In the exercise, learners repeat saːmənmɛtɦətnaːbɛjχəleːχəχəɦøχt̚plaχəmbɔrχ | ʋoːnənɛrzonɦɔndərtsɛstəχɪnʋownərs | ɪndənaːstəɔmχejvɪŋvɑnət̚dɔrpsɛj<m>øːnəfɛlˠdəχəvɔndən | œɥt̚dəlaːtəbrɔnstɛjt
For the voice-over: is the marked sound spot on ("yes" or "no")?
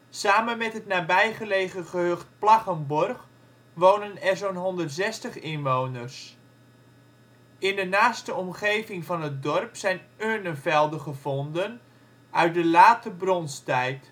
no